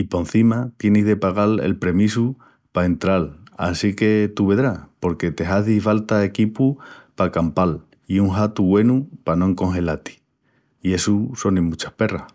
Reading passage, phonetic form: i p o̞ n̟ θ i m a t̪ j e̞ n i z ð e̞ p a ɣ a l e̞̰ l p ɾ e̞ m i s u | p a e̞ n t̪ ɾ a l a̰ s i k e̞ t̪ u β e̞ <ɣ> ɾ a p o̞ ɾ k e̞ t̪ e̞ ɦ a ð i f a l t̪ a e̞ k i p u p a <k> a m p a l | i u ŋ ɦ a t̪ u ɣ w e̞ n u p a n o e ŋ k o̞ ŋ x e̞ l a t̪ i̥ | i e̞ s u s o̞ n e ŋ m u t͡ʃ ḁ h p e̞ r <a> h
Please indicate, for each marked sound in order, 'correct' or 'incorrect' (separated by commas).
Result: incorrect, correct, correct